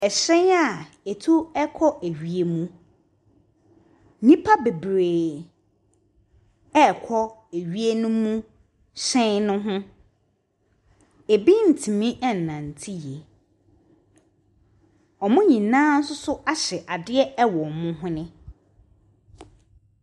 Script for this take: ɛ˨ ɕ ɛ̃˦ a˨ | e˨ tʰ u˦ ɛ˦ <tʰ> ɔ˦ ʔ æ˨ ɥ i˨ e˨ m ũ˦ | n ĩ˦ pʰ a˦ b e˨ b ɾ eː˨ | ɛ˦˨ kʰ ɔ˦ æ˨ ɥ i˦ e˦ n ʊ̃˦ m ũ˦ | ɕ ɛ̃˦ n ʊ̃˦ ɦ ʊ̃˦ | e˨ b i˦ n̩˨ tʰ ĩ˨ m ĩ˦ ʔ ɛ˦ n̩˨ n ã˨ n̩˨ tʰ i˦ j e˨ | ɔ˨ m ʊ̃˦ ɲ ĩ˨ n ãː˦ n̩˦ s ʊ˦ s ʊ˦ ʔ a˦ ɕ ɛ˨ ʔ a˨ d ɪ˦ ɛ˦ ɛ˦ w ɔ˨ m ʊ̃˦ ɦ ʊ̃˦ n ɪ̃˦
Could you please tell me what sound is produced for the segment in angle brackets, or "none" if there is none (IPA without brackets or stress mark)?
kʰ